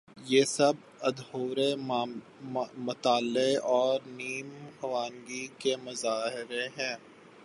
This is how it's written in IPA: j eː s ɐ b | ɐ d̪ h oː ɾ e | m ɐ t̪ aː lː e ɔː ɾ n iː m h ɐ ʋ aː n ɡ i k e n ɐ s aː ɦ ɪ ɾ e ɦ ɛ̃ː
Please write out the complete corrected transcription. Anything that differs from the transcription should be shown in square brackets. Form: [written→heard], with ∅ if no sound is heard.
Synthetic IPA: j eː s ɐ b | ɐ d̪ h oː ɾ e | m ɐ t̪ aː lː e ɔː ɾ n iː m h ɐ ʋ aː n ɡ i k e [n→m] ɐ [s→z] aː ɦ ɪ ɾ e ɦ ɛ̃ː